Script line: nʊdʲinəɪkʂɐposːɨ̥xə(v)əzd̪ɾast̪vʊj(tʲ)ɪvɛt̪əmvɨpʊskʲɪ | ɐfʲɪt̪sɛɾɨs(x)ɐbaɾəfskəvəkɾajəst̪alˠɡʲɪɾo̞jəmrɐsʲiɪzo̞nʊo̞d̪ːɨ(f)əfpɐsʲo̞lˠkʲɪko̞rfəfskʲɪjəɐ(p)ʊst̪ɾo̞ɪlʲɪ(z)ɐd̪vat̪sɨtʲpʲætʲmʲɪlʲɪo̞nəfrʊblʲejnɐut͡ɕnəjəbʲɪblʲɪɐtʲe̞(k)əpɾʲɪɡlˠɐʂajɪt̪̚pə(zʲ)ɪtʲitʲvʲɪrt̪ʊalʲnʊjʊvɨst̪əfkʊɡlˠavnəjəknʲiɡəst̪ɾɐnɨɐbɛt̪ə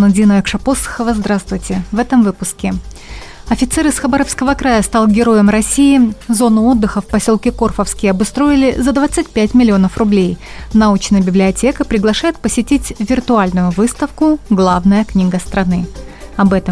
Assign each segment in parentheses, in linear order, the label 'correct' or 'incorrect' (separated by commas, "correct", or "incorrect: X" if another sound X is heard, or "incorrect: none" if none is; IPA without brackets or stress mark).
correct, correct, correct, incorrect: x, incorrect: b, correct, correct, incorrect: sʲ